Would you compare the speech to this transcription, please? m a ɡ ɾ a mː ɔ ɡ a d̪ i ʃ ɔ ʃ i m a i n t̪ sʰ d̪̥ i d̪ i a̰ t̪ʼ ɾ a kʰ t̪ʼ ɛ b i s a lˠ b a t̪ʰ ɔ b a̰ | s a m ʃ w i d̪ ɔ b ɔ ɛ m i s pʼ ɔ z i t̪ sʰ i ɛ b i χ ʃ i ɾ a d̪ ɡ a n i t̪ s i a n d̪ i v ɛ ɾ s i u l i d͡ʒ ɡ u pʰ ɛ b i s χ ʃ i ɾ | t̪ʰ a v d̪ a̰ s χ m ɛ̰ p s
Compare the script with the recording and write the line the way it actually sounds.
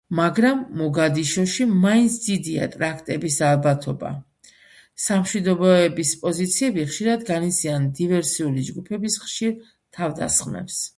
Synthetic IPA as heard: m a ɡ ɾ a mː ɔ ɡ a d̪ i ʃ ɔ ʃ i m a i n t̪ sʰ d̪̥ i d̪ i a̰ t̪ʼ ɾ a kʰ t̪ʼ ɛ b i s a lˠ b a t̪ʰ ɔ b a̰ | s a m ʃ w i d̪ ɔ b ɔ ɛ b i s pʼ ɔ z i t̪ sʰ i ɛ b i χ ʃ i ɾ a d̪ ɡ a n i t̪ s i a n d̪ i v ɛ ɾ s i u l i d͡ʒ ɡ u pʰ ɛ b i s χ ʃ i ɾ | t̪ʰ a v d̪ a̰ s χ m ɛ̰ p s

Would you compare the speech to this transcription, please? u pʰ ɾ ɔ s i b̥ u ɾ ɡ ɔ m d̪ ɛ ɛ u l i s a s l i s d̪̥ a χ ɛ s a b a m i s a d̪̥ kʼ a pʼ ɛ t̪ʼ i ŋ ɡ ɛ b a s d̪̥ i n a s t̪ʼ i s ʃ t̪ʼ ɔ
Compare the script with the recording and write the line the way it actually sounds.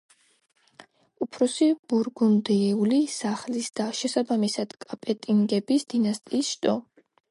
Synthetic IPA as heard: u pʰ ɾ ɔ s i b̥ u ɾ ɡ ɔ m d̪ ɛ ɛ u l i s a χ l i s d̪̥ a ʃ ɛ s a b a m i s a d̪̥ kʼ a pʼ ɛ t̪ʼ i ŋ ɡ ɛ b i s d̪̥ i n a s t̪ʼ iː s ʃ t̪ʼ ɔ

